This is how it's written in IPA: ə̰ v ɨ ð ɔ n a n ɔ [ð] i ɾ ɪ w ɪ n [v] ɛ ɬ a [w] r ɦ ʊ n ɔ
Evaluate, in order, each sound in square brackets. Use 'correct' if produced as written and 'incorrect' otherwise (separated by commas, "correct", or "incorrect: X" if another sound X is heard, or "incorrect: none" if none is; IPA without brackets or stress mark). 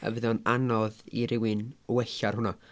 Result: correct, incorrect: w, incorrect: none